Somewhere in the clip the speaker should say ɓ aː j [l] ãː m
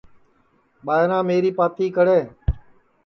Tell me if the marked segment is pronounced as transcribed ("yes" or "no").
no